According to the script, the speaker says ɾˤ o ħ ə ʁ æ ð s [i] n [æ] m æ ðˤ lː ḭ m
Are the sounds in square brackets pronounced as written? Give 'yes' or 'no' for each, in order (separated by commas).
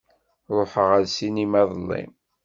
yes, no